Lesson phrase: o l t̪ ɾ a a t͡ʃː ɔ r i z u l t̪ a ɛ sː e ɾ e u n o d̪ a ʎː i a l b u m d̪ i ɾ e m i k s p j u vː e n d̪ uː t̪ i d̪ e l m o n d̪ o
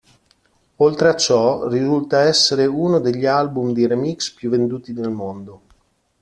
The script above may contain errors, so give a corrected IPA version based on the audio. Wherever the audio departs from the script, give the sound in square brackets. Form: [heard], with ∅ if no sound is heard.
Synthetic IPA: o l t̪ ɾ [e] a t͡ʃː ɔ r i z u l t̪ a ɛ sː e ɾ e u n o d̪ [e] ʎː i a l b u m d̪ i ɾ e m i k s p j u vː e n d̪ uː t̪ i d̪ e l m o n d̪ o